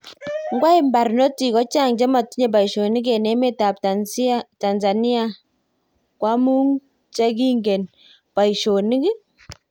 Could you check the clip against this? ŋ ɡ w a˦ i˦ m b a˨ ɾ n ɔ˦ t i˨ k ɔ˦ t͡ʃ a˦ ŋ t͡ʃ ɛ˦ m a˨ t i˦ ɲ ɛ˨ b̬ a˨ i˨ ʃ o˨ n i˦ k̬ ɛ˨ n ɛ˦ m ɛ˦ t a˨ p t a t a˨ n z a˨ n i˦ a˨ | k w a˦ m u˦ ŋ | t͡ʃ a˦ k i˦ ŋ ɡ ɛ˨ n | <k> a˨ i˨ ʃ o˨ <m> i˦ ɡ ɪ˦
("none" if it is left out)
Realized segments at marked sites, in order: p, n

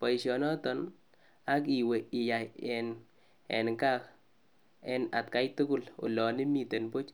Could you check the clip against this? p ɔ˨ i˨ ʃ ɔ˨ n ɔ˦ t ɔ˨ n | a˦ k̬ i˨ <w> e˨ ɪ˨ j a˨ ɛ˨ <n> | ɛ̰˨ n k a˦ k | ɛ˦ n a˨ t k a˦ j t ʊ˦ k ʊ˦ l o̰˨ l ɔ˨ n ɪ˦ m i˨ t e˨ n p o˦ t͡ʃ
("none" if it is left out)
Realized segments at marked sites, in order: w, n

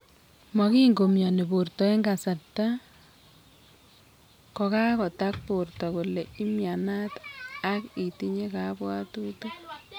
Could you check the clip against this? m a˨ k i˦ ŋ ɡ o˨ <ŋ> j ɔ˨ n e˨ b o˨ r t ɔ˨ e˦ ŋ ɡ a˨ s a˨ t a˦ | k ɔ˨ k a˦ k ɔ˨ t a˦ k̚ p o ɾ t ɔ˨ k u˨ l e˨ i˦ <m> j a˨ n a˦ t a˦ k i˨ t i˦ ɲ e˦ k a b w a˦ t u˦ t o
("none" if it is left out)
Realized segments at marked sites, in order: m, m

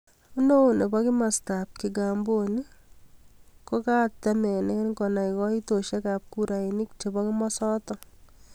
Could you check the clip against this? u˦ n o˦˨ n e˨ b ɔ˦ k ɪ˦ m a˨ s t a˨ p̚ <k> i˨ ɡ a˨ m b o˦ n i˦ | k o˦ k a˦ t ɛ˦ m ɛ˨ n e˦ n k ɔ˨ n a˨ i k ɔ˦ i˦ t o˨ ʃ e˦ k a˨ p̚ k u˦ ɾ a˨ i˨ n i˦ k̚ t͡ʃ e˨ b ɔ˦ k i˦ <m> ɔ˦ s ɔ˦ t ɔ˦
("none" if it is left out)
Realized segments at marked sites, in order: k, m

